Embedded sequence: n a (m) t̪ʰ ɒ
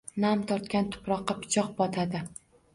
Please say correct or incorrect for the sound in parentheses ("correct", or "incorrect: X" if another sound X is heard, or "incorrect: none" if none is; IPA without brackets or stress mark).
correct